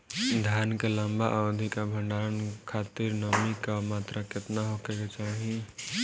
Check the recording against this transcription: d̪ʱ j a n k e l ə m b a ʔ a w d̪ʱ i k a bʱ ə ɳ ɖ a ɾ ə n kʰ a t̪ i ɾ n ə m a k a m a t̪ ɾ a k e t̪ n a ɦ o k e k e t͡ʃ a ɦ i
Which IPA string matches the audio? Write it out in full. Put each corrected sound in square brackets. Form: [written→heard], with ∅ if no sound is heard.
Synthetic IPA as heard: d̪ʱ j a n k e l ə m b a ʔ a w d̪ʱ i k a bʱ ə ɳ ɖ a ɾ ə n kʰ a t̪ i ɾ n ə m [a→i] k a m a t̪ ɾ a k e t̪ n a ɦ o k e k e t͡ʃ a ɦ i